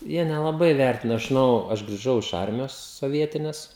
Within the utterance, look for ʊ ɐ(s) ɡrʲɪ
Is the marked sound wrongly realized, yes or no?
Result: yes